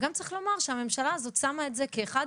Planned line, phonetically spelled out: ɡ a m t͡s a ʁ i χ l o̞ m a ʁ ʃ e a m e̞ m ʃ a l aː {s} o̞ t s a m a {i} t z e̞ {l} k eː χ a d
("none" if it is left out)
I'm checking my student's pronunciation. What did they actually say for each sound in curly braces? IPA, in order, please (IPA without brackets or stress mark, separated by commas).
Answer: z, e, none